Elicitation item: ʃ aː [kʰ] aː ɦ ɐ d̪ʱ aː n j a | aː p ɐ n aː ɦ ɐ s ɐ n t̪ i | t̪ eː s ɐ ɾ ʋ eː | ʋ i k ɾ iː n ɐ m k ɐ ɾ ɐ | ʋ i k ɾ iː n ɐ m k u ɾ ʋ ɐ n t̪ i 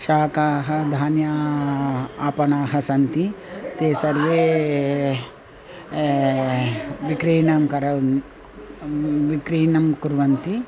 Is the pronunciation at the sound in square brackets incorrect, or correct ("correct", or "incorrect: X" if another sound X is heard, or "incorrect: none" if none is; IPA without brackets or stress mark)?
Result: incorrect: k